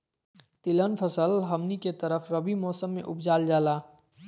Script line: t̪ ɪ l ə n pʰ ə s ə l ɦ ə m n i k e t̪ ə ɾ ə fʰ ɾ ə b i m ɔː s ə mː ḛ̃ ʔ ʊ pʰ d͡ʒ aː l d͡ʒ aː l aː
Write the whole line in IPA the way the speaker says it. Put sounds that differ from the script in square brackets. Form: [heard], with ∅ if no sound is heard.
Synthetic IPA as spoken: t̪ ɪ l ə n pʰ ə s ə l ɦ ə m n i k e t̪ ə ɾ ə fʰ ɾ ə b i m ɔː s ə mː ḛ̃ ʔ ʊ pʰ d͡ʒ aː l d͡ʒ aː l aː